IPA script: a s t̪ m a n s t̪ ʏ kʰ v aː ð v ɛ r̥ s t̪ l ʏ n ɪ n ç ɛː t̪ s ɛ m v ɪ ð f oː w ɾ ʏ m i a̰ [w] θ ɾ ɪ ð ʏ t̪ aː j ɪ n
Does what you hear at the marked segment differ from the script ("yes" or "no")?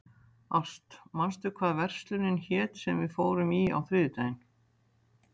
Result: no